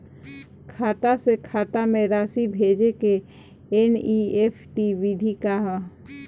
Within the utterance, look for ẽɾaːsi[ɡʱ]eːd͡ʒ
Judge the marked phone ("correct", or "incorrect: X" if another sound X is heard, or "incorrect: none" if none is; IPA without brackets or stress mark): incorrect: bʱ